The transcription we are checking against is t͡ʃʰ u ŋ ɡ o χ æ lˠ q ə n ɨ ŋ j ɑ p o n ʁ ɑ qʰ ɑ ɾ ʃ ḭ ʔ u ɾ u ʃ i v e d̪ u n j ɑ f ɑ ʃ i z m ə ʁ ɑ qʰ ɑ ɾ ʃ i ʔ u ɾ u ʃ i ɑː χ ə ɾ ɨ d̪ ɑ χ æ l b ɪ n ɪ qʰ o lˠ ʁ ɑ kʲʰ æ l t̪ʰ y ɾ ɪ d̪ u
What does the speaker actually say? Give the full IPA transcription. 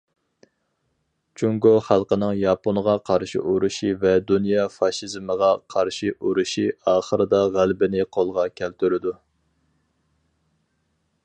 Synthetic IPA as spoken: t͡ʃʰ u ŋ ɡ o χ æ lˠ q ə n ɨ ŋ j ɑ p o n ʁ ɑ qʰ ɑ ɾ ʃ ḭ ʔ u ɾ u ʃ i v ɛ d̪ u n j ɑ f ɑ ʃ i z m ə ʁ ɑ qʰ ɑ ɾ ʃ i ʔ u ɾ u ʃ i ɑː χ ə ɾ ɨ d̪ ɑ ʁ æ l b ɪ n ɪ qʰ o lˠ ʁ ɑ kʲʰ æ l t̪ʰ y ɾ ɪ d̪ u